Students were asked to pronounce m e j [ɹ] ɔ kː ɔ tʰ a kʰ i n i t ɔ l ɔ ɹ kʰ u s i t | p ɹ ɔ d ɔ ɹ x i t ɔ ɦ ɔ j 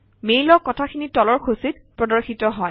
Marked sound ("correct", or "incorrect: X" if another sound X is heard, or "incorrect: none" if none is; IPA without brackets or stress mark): incorrect: l